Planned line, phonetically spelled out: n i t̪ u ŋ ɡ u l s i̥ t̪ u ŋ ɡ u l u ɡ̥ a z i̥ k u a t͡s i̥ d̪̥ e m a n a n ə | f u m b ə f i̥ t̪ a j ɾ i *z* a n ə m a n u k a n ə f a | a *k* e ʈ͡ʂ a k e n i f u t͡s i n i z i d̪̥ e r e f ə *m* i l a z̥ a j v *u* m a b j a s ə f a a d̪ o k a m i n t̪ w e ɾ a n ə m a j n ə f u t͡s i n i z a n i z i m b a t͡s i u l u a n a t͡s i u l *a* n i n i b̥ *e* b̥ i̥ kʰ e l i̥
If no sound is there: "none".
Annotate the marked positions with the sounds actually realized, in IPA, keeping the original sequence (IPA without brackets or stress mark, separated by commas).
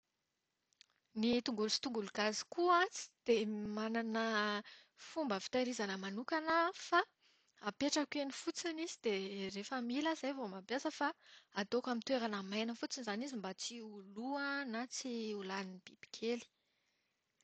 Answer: z, p, m, o, a, i